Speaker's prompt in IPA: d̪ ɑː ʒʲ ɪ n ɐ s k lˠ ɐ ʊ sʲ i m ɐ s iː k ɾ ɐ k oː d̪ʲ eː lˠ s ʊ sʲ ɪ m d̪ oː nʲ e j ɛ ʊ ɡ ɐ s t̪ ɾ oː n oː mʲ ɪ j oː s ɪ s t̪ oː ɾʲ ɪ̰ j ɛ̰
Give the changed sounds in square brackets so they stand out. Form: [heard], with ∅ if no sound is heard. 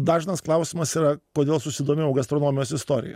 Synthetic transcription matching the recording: d̪ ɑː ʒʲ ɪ n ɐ s k lˠ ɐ ʊ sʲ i m ɐ s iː [∅] ɾ ɐ k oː d̪ʲ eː lˠ s ʊ sʲ ɪ [∅] d̪ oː [mʲ] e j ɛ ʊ ɡ ɐ s t̪ ɾ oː n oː mʲ ɪ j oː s ɪ s t̪ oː ɾʲ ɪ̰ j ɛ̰